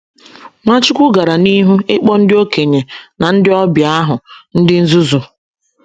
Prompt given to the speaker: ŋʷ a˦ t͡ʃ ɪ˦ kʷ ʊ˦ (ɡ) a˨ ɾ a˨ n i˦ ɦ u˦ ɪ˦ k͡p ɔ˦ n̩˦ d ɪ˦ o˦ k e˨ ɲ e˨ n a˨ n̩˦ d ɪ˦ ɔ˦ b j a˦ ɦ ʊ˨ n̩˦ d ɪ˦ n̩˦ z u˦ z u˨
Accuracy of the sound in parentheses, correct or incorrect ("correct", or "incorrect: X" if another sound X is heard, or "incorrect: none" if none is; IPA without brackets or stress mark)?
correct